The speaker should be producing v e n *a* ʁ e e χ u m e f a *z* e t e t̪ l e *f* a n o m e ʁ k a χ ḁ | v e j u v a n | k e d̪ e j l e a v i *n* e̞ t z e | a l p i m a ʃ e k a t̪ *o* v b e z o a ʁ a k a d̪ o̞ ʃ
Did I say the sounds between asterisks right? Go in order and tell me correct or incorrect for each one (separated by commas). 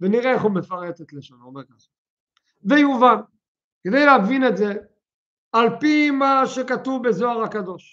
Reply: incorrect, incorrect, incorrect, correct, incorrect